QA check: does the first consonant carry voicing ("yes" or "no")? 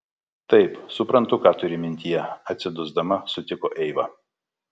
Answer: no